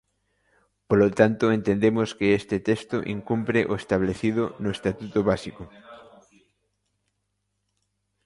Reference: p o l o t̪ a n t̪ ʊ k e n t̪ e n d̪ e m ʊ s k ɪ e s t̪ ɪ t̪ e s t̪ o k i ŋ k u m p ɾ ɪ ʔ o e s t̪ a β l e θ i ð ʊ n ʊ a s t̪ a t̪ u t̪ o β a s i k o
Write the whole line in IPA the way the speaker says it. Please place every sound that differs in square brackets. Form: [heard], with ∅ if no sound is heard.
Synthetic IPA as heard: p o l o t̪ a n t̪ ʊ [∅] e n t̪ e n d̪ e m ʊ s k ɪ e s t̪ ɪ t̪ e s t̪ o [ʔ] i ŋ k u m p ɾ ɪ ʔ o e s t̪ a β l e θ i ð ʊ n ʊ [e] s t̪ a t̪ u t̪ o β a s i k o